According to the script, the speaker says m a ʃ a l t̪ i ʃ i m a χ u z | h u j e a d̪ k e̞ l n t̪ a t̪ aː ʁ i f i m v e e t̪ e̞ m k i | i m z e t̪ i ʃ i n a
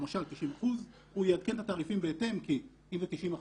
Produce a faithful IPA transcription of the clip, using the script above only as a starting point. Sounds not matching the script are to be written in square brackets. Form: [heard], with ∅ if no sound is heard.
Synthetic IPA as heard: m a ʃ a l t̪ i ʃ i m a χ u z | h u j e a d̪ k e̞ [∅] n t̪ a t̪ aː ʁ i f i m [b] e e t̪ e̞ m k i | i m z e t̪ i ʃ i [m] a

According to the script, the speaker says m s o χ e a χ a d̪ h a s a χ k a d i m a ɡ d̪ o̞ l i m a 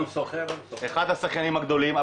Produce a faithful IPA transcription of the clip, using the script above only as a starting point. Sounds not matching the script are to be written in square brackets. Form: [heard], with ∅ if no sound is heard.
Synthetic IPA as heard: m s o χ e [e] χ a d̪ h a s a χ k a [n] i m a ɡ d̪ o̞ l i m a

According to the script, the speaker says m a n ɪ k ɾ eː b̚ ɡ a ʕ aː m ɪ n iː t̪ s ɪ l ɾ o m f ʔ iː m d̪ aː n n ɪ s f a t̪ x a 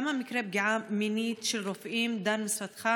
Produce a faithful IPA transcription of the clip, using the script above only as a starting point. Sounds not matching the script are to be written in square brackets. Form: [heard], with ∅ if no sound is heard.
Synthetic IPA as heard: m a [m] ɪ k ɾ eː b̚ ɡ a ʕ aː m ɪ n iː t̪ [ʃ] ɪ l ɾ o [∅] f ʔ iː m d̪ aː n [m] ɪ s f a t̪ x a

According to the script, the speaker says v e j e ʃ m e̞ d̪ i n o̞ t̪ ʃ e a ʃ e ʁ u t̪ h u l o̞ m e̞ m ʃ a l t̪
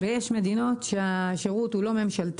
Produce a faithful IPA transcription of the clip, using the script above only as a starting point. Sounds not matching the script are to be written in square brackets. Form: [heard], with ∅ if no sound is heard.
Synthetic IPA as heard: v e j e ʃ m e̞ d̪ i n o̞ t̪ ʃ e a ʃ e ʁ u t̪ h u l o̞ m e̞ m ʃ a l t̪

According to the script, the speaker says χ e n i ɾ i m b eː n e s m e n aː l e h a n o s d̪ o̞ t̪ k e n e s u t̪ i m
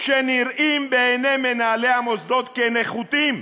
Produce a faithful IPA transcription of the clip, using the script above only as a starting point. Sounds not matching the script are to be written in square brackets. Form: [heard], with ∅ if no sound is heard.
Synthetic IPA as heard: [ʃ] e n i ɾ i m b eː n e [∅] m e n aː l e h a [m] o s d̪ o̞ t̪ k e n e [χ] u t̪ i m

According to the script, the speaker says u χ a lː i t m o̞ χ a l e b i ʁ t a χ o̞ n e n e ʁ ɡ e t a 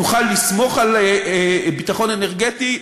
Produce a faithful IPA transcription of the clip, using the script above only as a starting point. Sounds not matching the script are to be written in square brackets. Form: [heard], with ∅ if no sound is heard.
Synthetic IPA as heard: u χ a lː i [s] m o̞ χ a l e b i [∅] t a χ o̞ n e n e ʁ ɡ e t [i]

